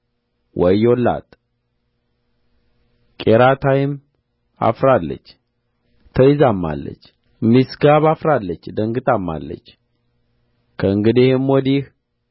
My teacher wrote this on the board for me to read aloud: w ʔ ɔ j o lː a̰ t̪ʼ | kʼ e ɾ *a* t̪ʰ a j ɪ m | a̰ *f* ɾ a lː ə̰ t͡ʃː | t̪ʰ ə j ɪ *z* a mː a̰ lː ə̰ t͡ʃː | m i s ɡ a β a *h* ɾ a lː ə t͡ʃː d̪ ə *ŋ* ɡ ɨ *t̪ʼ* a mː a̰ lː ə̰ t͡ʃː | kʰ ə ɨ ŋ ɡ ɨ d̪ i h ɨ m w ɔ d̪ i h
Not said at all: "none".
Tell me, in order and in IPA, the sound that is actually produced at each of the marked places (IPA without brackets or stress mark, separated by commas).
a, f, z, f, ŋ, t̪ʼ